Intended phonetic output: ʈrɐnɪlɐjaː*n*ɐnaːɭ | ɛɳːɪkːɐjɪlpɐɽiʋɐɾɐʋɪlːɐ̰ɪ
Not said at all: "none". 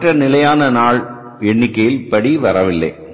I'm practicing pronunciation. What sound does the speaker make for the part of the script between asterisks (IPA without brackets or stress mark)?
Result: n